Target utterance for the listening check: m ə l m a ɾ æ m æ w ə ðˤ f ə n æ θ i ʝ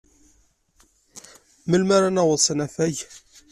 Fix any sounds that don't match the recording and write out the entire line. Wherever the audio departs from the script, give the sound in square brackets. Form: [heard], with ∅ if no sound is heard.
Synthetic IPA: m ə l m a ɾ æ [n] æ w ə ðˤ [s] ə n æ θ [æ] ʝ